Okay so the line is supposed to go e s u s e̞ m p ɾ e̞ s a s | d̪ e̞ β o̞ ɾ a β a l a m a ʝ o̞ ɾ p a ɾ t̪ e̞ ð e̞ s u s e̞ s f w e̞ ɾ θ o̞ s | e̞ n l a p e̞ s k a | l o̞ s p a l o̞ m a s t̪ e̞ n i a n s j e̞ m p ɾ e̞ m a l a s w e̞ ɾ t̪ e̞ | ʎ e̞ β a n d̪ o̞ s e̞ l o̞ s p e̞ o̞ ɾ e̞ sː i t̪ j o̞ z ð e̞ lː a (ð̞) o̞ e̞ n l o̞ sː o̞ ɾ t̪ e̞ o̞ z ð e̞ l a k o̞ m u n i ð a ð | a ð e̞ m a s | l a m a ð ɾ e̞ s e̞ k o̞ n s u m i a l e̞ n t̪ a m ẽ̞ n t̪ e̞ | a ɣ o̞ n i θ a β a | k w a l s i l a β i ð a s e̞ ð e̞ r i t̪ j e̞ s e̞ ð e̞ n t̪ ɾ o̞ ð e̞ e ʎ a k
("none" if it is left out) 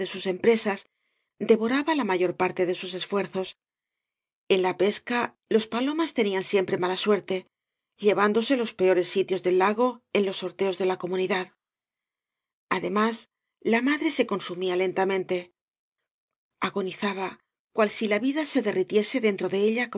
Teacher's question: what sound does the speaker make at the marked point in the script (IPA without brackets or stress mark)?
ɣ̞